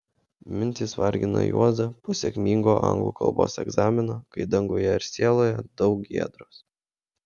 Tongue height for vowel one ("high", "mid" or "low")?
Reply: high